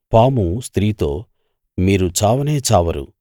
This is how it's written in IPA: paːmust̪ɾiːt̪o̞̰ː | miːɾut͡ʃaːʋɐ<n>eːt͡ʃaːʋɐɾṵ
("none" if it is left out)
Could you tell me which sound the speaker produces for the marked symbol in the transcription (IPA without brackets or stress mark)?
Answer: n